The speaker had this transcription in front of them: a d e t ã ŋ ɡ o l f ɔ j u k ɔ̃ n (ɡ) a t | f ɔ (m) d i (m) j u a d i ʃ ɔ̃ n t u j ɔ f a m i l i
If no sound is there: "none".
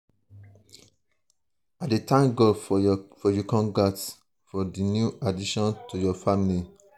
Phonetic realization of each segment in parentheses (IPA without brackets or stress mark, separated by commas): ɡ, none, n